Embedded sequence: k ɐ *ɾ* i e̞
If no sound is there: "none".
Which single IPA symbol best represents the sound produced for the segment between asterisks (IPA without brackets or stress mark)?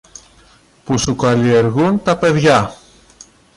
l